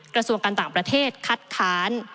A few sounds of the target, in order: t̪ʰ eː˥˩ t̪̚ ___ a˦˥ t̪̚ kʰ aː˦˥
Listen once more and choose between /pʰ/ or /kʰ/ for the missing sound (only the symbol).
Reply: kʰ